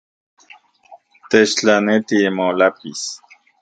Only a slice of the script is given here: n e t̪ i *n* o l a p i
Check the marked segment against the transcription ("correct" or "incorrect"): incorrect